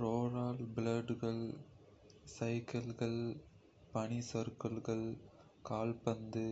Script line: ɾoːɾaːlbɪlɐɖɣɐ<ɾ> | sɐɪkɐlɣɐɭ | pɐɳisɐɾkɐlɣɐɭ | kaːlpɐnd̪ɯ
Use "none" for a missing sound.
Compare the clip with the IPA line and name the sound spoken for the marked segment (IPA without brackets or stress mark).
ɭ